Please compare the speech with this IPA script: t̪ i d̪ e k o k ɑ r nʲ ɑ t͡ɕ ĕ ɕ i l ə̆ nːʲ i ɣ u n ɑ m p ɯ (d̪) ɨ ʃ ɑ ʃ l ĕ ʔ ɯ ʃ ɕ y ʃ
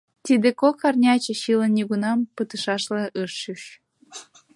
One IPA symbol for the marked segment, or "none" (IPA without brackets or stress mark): t̪